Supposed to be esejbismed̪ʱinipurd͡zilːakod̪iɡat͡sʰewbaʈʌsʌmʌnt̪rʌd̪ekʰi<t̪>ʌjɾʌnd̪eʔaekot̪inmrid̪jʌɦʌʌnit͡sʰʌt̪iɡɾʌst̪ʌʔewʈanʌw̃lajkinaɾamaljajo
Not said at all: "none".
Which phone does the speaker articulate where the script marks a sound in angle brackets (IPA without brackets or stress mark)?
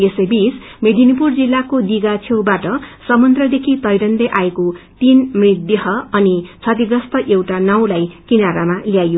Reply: t̪